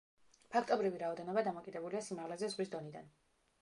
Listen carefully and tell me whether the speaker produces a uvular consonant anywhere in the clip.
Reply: yes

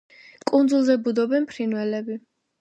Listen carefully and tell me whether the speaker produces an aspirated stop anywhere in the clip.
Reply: yes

